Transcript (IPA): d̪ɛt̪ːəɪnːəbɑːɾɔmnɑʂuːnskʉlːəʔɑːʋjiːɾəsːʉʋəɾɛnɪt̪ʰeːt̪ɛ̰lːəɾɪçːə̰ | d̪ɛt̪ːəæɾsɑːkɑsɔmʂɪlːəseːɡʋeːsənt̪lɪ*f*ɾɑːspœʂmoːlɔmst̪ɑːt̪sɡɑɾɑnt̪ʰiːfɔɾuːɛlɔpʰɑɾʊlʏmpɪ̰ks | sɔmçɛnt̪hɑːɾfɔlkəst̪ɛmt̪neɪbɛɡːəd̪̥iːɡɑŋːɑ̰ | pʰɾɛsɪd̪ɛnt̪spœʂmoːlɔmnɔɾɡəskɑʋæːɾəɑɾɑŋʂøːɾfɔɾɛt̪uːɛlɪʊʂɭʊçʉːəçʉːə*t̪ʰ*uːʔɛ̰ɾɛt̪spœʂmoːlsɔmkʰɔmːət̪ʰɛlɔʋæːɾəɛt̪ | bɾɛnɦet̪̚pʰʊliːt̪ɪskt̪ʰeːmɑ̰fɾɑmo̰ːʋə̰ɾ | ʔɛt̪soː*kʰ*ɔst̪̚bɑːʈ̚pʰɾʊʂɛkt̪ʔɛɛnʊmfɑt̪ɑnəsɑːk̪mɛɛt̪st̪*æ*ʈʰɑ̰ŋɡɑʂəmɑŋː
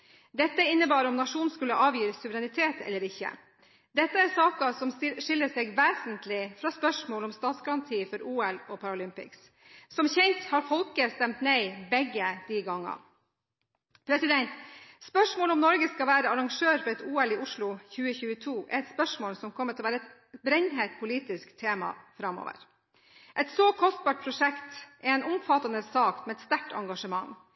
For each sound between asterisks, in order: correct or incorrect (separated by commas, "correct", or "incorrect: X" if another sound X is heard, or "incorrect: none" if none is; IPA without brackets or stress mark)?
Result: correct, correct, correct, correct